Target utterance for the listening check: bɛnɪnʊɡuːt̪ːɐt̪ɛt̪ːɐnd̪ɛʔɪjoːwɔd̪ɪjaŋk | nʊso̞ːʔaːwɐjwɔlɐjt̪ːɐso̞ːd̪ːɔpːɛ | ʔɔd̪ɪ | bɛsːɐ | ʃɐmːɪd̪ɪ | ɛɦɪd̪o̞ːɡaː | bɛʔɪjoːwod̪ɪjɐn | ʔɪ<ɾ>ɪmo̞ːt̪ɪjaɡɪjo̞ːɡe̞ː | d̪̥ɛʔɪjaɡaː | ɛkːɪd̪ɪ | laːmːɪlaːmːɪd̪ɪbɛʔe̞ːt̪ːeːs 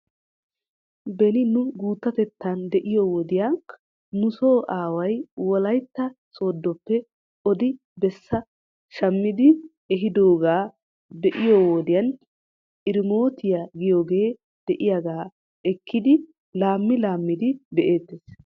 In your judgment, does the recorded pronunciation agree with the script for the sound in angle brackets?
yes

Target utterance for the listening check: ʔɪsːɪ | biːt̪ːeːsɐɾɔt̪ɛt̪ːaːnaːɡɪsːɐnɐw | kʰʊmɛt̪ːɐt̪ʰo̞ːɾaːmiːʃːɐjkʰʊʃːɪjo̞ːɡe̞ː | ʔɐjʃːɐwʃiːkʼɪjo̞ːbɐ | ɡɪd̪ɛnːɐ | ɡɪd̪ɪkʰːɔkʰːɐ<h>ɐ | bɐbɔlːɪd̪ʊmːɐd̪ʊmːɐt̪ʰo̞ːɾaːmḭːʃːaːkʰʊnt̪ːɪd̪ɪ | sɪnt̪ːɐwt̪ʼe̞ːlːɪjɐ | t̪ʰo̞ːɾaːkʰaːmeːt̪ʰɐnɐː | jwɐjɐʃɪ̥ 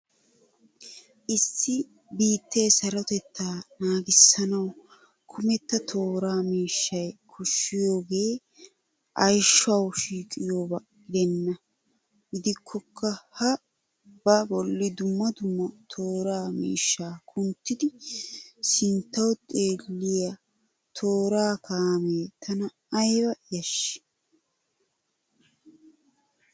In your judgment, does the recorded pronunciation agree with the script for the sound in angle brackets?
yes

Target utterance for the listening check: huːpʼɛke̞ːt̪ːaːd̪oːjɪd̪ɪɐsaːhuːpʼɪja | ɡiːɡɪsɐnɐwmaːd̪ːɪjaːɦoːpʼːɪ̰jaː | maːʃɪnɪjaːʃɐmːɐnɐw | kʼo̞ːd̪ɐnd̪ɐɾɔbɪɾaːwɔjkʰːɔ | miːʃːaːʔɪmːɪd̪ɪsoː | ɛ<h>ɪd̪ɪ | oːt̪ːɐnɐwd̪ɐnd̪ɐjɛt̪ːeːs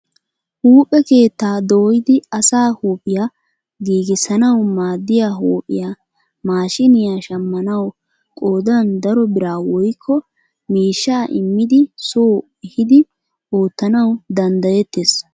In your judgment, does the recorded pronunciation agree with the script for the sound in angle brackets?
yes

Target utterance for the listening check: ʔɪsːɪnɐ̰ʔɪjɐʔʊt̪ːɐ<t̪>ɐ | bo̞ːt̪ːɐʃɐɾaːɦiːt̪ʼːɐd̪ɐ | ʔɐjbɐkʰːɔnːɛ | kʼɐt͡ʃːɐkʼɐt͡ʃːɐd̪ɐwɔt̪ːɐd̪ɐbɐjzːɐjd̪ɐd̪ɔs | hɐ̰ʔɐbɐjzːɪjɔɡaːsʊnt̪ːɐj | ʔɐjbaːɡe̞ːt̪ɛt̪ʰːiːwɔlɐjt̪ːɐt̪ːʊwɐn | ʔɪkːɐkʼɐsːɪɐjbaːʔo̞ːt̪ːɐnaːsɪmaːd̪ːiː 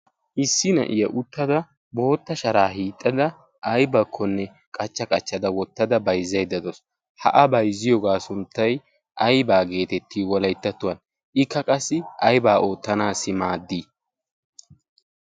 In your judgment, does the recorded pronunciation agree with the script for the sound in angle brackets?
no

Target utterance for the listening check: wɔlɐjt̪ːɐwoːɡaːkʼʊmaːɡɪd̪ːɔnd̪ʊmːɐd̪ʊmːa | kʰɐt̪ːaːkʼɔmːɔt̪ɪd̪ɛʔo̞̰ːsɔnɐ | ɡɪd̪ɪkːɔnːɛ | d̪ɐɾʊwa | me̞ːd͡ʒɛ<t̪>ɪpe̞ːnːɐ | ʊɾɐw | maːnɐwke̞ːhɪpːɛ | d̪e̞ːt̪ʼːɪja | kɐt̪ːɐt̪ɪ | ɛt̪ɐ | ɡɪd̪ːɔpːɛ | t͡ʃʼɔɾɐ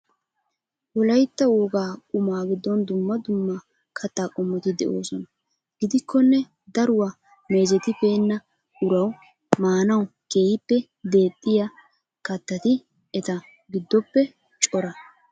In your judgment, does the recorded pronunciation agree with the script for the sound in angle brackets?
yes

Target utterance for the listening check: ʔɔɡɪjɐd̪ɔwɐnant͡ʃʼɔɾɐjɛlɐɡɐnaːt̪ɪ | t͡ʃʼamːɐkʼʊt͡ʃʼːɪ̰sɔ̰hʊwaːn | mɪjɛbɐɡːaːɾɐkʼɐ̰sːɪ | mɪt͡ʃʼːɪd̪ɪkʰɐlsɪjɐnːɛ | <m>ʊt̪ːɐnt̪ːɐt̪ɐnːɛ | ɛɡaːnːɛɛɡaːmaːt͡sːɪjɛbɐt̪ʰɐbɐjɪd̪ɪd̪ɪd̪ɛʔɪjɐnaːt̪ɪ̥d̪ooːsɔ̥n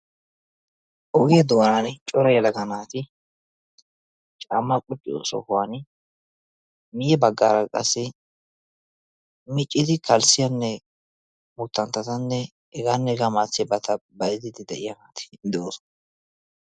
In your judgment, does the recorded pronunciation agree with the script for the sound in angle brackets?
yes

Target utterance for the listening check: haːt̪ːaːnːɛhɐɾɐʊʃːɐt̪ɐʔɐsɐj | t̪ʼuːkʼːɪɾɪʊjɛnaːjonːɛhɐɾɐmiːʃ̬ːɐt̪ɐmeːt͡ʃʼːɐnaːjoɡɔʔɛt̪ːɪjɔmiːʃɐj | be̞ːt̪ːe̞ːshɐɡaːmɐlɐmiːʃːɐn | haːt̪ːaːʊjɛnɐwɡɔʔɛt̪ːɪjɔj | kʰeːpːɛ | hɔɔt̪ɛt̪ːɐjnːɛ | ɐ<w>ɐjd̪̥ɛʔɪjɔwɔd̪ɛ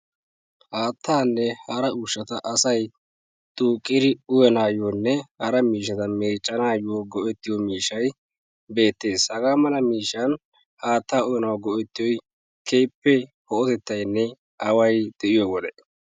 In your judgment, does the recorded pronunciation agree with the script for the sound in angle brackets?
yes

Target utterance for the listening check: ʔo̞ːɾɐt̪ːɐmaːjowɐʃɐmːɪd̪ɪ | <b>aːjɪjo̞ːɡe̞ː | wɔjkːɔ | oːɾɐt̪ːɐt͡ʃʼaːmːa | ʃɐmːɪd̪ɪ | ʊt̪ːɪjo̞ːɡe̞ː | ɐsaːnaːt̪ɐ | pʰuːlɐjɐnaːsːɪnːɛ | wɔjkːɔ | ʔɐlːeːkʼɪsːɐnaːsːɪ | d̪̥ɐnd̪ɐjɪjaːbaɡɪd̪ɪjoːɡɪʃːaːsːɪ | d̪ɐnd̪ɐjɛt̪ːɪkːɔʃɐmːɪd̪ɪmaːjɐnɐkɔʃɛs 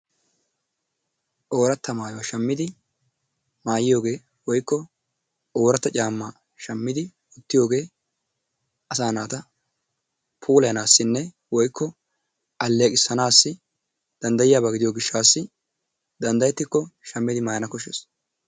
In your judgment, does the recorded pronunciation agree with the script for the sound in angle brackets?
no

